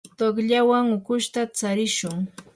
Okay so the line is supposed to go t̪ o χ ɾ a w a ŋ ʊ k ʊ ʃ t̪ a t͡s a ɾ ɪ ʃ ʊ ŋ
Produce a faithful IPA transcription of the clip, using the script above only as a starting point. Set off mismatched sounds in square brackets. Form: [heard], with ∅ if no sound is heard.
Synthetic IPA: t̪ o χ [ʎ] a w a ŋ ʊ k ʊ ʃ t̪ a t͡s a ɾ ɪ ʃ ʊ ŋ